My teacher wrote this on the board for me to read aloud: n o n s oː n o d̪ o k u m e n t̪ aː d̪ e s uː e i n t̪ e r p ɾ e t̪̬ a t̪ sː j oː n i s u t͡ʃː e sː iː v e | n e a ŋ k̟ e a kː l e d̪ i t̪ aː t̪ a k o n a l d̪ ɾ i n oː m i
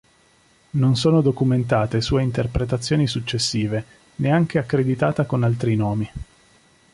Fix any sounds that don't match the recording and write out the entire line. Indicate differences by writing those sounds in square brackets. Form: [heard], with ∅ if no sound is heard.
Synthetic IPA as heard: n o n s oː n o d̪ o k u m e n t̪ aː [t̪] e s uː e i n t̪ e r p ɾ e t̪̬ a t̪ sː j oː n i s u t͡ʃː e sː iː v e | n e a ŋ k̟ e a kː [ɾ] e d̪ i t̪ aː t̪ a k o n a l [t̪] ɾ i n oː m i